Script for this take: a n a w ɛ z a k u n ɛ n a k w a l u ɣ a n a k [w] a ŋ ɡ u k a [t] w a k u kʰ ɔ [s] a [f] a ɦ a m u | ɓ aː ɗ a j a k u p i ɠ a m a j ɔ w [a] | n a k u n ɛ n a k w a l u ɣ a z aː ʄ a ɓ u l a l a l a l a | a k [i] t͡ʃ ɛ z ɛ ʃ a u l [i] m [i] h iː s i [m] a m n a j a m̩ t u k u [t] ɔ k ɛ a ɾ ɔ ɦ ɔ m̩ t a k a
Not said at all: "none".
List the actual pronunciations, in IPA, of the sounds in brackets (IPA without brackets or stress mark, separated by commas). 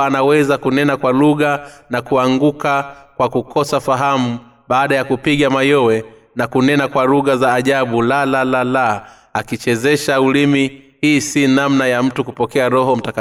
u, k, s, f, ɛ, i, i, i, n, p